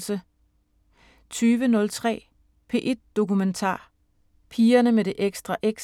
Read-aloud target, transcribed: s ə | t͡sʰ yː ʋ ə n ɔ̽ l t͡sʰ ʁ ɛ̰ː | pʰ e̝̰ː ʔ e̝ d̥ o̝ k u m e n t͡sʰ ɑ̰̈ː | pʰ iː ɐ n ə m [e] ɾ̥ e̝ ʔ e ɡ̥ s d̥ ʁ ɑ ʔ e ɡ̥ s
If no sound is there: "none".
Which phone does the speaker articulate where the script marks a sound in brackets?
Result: e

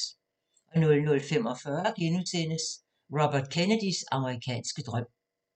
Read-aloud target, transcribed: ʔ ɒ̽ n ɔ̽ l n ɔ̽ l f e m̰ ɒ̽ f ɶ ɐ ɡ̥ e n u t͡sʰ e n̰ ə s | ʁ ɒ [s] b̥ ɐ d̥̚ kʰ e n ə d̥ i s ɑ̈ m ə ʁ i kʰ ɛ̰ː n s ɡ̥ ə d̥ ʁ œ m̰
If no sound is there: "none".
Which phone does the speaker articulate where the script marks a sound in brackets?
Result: none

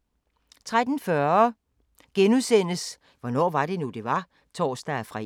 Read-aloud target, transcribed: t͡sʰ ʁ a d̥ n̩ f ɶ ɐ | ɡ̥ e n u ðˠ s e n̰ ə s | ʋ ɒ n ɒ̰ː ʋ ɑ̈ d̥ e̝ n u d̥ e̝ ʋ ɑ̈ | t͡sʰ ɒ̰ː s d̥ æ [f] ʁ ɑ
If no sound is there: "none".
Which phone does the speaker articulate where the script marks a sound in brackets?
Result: f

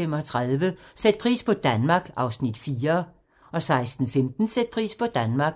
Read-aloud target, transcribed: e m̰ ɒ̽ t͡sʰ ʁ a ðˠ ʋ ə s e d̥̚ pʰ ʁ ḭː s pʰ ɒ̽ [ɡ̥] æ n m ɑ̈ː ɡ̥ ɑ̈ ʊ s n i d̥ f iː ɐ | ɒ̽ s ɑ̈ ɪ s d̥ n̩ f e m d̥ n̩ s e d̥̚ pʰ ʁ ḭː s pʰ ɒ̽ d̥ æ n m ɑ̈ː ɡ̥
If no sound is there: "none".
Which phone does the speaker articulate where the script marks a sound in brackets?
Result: d̥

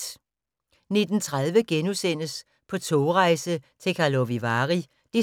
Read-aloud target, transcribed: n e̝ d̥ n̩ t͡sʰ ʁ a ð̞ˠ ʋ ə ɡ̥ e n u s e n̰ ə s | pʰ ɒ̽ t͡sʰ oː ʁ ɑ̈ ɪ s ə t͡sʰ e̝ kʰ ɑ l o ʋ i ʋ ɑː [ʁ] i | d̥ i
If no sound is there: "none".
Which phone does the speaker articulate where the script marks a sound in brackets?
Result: ʁ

